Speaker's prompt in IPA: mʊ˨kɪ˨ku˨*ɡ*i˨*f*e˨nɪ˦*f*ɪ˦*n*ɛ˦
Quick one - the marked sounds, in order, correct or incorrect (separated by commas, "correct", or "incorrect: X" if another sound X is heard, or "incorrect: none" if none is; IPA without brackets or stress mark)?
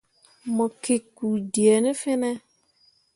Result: incorrect: d, incorrect: none, correct, correct